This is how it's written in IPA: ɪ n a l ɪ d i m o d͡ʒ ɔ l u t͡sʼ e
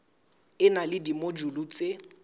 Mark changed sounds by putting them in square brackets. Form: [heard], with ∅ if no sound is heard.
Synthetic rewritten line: ɪ n a l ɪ d i m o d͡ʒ [u] l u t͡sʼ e